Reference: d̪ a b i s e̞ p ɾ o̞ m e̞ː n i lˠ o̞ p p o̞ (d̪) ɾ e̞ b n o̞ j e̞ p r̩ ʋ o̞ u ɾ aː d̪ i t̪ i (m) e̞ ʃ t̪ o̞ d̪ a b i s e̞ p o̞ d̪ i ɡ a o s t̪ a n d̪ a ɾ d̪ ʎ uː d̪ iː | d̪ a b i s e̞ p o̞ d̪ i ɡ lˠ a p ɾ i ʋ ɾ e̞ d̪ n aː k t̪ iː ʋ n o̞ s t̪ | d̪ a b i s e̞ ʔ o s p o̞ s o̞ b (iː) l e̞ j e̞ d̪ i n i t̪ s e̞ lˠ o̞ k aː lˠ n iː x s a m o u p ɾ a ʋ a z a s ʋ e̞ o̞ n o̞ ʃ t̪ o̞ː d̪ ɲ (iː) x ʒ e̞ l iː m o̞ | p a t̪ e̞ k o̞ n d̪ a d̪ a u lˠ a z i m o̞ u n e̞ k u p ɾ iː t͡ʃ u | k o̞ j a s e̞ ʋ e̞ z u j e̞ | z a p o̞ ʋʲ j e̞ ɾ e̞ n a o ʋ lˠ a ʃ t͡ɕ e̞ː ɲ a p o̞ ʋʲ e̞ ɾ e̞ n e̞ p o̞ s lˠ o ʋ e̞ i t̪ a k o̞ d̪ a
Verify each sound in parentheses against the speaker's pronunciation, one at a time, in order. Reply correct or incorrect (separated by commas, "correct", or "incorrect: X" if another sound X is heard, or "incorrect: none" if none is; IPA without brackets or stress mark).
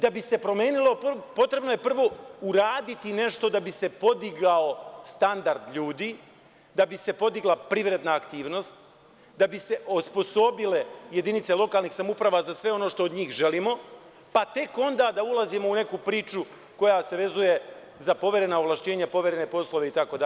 incorrect: t̪, incorrect: n, incorrect: i, correct